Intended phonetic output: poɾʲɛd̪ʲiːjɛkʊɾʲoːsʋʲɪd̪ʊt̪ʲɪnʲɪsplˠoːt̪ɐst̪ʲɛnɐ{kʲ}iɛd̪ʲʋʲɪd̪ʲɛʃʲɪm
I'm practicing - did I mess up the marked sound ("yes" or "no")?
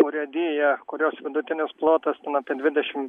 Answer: yes